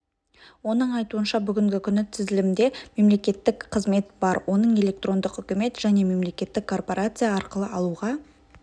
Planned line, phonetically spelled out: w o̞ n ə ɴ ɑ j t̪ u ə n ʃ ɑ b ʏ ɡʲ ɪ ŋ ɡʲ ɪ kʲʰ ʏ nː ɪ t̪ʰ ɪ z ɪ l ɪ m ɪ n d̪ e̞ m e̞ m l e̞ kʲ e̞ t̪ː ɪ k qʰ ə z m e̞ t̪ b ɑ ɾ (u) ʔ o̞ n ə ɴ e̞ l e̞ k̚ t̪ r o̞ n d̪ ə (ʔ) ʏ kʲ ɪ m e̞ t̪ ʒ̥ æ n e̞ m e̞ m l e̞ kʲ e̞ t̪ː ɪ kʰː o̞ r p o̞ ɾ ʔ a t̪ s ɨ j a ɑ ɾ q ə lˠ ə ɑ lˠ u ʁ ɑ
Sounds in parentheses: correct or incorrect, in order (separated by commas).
incorrect, incorrect